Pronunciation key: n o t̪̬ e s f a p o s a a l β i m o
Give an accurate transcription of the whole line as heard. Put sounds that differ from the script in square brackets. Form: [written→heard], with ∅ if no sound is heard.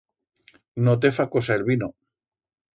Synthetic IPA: n o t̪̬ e [s→∅] f a [p→k] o s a [a→e] l β i [m→n] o